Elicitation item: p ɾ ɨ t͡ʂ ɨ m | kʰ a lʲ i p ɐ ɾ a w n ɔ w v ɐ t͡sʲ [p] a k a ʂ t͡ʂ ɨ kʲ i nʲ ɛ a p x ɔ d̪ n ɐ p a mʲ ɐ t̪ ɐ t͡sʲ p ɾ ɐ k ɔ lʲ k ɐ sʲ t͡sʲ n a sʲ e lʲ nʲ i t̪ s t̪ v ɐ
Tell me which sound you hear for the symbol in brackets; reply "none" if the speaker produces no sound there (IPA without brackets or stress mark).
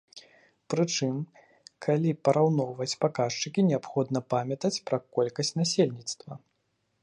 p